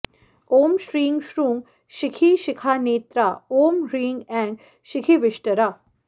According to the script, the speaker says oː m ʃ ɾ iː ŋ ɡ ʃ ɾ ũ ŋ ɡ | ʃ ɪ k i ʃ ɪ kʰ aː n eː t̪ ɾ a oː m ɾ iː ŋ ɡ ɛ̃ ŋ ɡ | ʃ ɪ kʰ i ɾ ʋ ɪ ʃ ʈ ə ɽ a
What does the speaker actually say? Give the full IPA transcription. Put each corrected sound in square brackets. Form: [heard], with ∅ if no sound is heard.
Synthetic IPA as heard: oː m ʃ ɾ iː ŋ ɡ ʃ ɾ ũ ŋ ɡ | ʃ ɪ [kʰ] i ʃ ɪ kʰ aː n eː t̪ ɾ a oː m ɾ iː ŋ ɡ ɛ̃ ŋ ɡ | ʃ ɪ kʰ i [∅] ʋ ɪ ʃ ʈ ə [ɾ] a